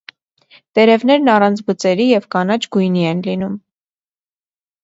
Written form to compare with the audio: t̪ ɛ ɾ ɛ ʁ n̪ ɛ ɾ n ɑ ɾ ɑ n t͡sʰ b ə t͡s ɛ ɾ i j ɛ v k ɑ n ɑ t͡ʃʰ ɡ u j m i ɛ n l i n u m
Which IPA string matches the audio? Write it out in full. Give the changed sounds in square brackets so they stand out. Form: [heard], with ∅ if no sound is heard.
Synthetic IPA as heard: t̪ ɛ ɾ ɛ [v] n̪ ɛ ɾ n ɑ [r] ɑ n t͡sʰ b ə t͡s ɛ ɾ i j ɛ v k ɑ n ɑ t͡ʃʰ ɡ u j [n] i ɛ n l i n u m